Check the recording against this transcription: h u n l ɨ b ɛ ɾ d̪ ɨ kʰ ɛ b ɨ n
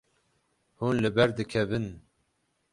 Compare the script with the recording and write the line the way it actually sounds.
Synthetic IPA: h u n l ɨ b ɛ ɾ d̪ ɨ kʰ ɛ v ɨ n